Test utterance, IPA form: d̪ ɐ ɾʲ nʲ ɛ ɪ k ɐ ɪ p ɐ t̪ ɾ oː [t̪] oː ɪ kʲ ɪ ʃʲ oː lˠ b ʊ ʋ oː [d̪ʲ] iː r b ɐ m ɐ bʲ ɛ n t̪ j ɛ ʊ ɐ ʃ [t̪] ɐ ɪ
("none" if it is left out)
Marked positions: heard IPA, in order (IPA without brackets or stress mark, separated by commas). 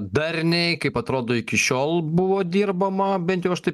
d̪, d̪ʲ, t̪